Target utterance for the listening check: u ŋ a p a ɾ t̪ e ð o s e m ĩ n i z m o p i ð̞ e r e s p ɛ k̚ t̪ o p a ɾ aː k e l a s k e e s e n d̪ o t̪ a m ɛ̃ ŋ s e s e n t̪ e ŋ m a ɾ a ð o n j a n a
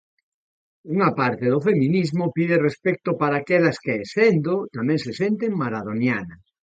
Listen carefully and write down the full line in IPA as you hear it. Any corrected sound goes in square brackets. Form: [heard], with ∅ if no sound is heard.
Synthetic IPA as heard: u ŋ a p a ɾ t̪ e ð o [f] e m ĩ n i z m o p i ð̞ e r e s p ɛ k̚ t̪ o p a ɾ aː k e l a s k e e s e n d̪ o t̪ a m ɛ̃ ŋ s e s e n t̪ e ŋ m a ɾ a ð o n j a n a